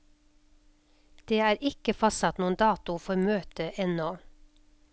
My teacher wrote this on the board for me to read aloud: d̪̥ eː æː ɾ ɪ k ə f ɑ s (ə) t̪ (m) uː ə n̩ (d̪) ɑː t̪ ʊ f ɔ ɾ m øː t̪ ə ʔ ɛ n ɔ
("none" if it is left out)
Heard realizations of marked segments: ɑ, n, d̪

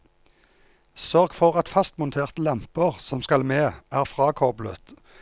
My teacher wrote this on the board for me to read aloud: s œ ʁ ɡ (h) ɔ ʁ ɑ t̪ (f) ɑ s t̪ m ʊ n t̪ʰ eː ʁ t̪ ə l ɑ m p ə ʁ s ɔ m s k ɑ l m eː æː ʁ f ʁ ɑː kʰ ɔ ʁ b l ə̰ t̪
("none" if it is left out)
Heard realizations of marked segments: f, f

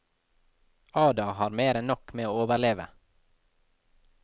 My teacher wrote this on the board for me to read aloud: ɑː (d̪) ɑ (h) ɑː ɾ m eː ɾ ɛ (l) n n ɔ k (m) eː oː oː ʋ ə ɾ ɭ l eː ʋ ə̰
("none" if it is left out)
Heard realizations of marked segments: d̪, h, none, m

